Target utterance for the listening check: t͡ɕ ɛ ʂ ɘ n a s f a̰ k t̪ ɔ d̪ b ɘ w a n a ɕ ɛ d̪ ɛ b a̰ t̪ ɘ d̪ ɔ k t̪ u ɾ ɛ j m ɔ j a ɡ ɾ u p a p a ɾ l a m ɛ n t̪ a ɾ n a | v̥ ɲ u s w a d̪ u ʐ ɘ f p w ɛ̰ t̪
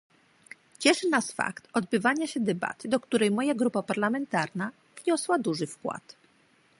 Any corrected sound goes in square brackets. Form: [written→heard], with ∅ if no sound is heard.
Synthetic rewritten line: t͡ɕ ɛ ʂ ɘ n a s f a̰ k t̪ ɔ d̪ b ɘ [w→v] a [n→ɲ] a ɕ ɛ d̪ ɛ b a̰ t̪ ɘ d̪ ɔ k t̪ u ɾ ɛ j m ɔ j a ɡ ɾ u p a p a ɾ l a m ɛ n t̪ a ɾ n a | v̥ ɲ [u→ɔ] s w a d̪ u ʐ ɘ f [p→k] w [ɛ̰→a̰] t̪